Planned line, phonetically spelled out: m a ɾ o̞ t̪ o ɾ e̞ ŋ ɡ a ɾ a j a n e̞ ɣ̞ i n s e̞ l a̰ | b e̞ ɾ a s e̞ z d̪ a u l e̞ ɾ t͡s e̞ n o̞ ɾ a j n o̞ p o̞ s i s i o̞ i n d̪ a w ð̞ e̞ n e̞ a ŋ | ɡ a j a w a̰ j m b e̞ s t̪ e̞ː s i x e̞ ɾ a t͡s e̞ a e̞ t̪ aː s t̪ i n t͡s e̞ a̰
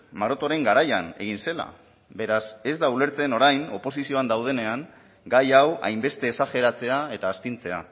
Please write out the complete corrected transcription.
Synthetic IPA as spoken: m a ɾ o̞ t̪ o ɾ e̞ ŋ ɡ a ɾ a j a n e̞ ɣ̞ i n s e̞ l a̰ | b e̞ ɾ a s e̞ z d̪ a u l e̞ ɾ t͡s e̞ n o̞ ɾ a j n o̞ p o̞ s i s i o̞ a n d̪ a w ð̞ e̞ n e̞ a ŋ | ɡ a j a w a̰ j m b e̞ s t̪ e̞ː s a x e̞ ɾ a t͡s e̞ a e̞ t̪ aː s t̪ i n t͡s e̞ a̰

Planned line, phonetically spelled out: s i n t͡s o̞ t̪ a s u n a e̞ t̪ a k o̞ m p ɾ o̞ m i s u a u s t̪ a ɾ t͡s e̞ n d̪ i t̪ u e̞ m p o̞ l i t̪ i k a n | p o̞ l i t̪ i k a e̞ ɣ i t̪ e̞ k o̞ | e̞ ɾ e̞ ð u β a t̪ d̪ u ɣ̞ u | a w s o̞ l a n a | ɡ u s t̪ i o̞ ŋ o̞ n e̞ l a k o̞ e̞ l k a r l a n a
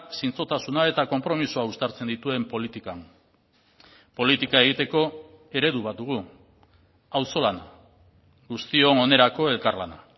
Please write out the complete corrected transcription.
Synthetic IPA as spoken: s i n t͡s o̞ t̪ a s u n a e̞ t̪ a k o̞ m p ɾ o̞ m i s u a u s t̪ a ɾ t͡s e̞ n d̪ i t̪ u e̞ m p o̞ l i t̪ i k a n | p o̞ l i t̪ i k a e̞ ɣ i t̪ e̞ k o̞ | e̞ ɾ e̞ ð u β a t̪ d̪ u ɣ̞ u | a w s o̞ l a n a | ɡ u s t̪ i o̞ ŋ o̞ n e̞ ɾ a k o̞ e̞ l k a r l a n a

